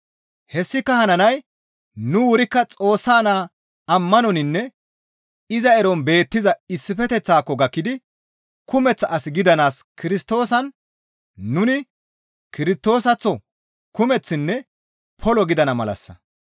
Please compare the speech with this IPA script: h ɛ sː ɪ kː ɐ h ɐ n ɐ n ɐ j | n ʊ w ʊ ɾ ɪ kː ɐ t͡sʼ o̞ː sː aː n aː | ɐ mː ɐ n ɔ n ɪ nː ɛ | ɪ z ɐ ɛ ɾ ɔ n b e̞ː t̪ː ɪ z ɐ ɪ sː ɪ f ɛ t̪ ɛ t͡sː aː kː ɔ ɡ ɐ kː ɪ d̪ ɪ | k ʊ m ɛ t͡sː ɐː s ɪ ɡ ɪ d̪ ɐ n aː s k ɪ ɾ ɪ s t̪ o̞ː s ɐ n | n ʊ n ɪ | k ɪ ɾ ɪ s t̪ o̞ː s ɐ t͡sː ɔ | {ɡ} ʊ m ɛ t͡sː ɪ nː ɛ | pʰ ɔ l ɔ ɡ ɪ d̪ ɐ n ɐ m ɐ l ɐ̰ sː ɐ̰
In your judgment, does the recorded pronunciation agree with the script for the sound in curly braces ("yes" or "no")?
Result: no